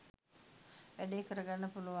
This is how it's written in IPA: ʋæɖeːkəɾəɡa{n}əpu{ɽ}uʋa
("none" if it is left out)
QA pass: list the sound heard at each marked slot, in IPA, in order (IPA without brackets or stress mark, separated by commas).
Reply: nː, l